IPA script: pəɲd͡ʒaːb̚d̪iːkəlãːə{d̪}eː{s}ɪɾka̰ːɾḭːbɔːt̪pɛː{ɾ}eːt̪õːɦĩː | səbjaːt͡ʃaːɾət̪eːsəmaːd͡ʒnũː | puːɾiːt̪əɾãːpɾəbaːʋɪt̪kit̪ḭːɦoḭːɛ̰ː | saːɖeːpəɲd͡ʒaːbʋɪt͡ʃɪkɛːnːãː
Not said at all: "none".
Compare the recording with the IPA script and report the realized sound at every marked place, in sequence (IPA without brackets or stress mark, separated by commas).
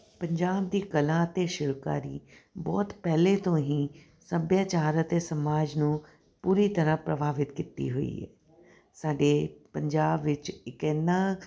t̪, ʃ, l